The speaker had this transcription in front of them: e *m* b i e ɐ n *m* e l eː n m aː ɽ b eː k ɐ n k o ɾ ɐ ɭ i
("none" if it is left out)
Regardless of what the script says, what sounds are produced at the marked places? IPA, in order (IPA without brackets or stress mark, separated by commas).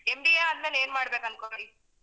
m, m